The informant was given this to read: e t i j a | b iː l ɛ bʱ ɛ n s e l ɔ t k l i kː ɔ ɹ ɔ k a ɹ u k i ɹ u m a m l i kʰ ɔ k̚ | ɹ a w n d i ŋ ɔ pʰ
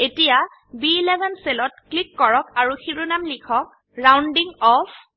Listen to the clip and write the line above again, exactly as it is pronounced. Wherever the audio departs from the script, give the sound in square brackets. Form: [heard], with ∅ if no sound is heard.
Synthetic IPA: e t i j a | b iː l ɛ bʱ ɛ n s e l ɔ t k l i kː ɔ ɹ ɔ k a ɹ u [x] i ɹ u [n] a m l i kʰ ɔ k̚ | ɹ a w n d i ŋ ɔ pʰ